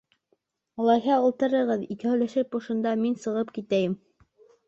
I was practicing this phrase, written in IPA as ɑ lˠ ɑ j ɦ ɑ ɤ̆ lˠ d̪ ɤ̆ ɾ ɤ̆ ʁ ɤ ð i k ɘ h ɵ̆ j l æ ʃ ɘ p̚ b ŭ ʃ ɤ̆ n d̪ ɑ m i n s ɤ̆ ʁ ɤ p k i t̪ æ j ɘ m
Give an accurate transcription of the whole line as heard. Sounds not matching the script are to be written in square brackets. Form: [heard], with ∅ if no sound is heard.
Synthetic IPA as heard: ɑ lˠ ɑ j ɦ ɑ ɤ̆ lˠ [t̪] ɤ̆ ɾ ɤ̆ ʁ ɤ ð i k ɘ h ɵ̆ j l æ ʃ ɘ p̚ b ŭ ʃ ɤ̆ n d̪ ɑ m i n s ɤ̆ ʁ ɤ p k i t̪ æ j ɘ m